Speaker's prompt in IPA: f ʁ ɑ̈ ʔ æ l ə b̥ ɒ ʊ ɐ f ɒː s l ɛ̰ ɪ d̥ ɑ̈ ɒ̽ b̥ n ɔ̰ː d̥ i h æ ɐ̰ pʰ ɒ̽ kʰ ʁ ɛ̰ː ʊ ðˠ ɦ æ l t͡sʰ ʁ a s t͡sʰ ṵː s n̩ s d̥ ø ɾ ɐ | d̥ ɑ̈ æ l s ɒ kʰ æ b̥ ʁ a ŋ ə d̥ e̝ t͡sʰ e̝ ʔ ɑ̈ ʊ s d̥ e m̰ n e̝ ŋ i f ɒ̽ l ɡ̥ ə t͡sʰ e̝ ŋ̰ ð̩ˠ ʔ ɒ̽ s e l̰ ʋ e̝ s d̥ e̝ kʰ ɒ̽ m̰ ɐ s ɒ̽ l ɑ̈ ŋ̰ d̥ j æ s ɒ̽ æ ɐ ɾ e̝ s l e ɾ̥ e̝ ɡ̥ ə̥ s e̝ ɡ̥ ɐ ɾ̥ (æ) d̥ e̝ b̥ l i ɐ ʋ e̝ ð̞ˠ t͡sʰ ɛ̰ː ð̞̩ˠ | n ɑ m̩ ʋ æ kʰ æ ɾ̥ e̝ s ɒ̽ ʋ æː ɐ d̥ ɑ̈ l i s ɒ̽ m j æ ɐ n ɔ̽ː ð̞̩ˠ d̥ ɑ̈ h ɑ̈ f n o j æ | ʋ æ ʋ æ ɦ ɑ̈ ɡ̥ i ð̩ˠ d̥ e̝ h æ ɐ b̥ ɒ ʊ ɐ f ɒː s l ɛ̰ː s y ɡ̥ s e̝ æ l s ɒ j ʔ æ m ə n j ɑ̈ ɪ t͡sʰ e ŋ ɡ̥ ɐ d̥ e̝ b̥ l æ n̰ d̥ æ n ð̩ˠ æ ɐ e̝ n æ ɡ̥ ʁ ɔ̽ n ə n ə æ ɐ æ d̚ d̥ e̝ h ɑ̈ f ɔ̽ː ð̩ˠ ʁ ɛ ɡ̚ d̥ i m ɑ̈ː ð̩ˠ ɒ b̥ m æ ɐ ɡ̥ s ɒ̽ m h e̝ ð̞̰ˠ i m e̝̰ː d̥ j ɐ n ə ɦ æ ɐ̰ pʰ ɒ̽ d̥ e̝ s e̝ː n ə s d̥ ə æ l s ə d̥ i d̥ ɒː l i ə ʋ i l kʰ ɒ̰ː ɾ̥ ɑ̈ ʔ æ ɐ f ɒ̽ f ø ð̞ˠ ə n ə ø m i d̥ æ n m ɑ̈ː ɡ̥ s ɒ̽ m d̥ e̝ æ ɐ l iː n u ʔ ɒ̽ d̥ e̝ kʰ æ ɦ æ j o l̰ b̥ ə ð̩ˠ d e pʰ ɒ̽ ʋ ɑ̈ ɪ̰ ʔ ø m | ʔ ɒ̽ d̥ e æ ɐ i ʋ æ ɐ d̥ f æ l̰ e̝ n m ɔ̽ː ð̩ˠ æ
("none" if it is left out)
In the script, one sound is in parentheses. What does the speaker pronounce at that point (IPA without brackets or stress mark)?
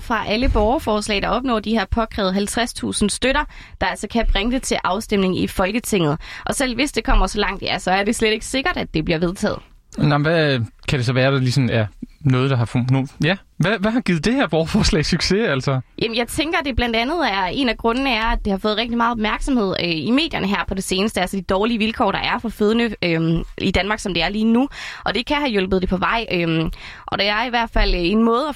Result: æ